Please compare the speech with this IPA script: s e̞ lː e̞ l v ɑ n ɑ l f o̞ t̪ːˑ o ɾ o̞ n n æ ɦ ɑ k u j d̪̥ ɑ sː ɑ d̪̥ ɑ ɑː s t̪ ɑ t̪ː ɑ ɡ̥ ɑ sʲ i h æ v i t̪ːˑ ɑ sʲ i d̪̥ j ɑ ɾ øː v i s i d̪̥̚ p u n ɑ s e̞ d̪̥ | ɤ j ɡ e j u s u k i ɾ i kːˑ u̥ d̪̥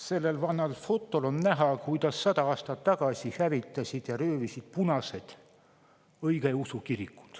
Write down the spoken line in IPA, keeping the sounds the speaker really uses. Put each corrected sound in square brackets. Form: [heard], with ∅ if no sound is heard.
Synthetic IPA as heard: s e̞ lː e̞ l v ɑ n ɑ l f o̞ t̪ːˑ o [l] o̞ n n æ ɦ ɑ k u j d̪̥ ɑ sː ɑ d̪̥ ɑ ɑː s t̪ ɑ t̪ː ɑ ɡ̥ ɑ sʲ i h æ v i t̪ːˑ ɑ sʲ i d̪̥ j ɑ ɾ øː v i s i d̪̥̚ p u n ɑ s e̞ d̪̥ | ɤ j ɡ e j u s u k i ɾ i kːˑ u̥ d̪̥